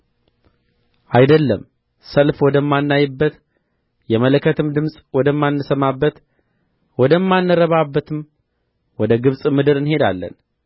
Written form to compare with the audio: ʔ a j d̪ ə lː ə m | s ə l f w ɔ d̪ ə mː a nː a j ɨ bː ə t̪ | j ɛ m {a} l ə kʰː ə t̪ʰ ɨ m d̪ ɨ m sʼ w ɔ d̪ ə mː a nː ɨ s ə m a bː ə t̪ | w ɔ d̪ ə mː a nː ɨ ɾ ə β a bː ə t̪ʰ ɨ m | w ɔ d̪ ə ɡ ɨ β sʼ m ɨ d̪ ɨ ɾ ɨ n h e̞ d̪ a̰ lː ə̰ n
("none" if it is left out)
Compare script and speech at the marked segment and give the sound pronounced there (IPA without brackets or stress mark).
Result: ə